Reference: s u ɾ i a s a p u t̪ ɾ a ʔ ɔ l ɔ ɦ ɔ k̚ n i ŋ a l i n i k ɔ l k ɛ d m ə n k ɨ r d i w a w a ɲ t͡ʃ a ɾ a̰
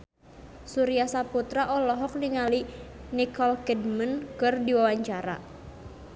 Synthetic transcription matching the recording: s u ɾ i a s a p u t̪ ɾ a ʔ ɔ l ɔ ɦ ɔ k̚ n i ŋ a l i n i k ɔ l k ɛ d m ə n k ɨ r d i w a w a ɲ t͡ʃ a ɾ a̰